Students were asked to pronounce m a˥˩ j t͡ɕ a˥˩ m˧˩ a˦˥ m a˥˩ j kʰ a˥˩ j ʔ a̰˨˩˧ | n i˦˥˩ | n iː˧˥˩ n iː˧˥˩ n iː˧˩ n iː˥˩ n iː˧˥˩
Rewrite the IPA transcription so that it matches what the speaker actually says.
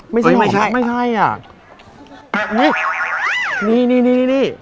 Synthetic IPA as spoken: m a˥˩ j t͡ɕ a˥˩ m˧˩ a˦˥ m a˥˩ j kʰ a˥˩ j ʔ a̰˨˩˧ | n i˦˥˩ | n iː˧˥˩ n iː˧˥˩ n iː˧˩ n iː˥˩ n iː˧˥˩

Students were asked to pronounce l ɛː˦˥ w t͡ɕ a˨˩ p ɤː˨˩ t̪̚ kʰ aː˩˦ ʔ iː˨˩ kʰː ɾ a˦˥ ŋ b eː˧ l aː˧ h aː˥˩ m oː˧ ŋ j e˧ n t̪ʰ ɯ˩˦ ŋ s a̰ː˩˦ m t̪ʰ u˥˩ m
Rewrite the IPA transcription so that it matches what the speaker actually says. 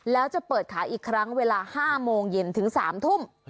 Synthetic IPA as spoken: l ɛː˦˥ w t͡ɕ a˨˩ p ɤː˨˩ t̪̚ kʰ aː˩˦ ʔ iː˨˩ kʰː ɾ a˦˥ ŋ w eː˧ l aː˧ h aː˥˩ m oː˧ ŋ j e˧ n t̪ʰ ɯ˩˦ ŋ s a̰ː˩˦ m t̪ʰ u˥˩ m

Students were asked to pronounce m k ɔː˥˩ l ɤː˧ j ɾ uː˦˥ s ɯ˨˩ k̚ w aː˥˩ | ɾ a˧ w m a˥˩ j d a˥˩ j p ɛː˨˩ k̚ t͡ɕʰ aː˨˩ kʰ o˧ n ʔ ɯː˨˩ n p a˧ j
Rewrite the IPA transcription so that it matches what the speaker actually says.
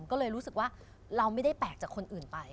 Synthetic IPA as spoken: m k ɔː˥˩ l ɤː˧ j ɾ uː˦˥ s ɯ˨˩ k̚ w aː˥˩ | ɾ a˧ w m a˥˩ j d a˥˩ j p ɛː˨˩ k̚ t͡ɕ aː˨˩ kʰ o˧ n ʔ ɯː˨˩ n p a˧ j

